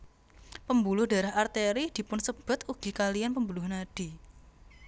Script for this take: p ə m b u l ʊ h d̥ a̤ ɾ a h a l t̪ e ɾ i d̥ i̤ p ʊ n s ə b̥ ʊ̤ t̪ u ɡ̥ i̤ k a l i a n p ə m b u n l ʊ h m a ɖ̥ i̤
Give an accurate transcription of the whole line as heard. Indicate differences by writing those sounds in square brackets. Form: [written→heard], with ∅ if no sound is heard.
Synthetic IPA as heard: p ə m b u l ʊ h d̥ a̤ ɾ a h a [l→r] t̪ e ɾ i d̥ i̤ p ʊ n s ə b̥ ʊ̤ t̪ u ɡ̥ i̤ k a l i a n p ə m b u [n→∅] l ʊ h [m→n] a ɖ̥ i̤